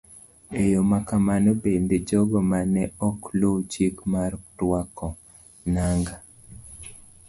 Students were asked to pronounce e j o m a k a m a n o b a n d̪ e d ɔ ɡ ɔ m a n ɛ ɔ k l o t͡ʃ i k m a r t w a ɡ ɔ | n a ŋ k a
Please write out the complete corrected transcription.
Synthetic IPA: e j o m a k a m a n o b e n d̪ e d͡ʒ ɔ ɡ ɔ m a n ɛ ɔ k l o t͡ʃ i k m a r t w a k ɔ | n a ŋ ɡ a